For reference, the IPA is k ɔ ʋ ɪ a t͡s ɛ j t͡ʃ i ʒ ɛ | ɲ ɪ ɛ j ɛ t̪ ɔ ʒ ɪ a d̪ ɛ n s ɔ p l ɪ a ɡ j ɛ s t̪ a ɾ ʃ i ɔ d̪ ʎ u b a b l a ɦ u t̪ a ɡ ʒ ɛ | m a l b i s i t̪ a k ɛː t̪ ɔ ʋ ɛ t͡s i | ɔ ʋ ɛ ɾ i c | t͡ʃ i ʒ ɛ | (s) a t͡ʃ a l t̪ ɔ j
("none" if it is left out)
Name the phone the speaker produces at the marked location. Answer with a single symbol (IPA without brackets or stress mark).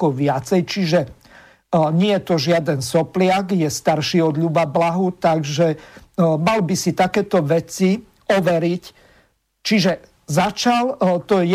z